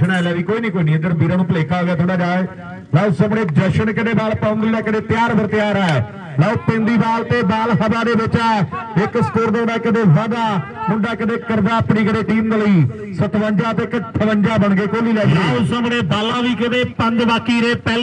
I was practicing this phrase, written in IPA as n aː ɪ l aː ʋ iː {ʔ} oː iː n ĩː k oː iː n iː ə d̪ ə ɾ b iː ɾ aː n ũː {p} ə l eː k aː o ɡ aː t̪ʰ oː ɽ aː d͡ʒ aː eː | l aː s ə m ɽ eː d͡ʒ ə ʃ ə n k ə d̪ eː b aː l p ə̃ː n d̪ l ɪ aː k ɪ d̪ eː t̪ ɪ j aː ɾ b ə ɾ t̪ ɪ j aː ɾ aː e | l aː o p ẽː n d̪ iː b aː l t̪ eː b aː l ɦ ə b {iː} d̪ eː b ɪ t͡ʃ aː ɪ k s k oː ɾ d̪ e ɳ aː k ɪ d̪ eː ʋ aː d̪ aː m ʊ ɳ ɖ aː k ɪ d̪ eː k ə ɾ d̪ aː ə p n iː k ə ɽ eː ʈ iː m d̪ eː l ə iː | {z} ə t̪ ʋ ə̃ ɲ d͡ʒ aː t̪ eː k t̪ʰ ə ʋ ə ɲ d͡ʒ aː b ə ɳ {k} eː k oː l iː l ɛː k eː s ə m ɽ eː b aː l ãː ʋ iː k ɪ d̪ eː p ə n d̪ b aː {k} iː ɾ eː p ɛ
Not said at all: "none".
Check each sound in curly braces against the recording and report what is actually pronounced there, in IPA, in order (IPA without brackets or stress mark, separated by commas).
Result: k, p, aː, s, ɡ, k